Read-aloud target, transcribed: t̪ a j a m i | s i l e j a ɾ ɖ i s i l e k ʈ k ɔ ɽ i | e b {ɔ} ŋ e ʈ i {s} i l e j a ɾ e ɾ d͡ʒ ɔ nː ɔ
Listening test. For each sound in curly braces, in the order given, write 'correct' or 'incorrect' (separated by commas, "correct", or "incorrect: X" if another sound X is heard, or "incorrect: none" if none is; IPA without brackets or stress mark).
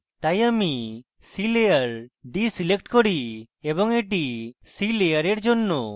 correct, correct